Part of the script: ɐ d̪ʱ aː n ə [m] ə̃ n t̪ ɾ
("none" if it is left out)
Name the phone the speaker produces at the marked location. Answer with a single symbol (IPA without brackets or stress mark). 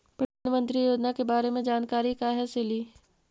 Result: m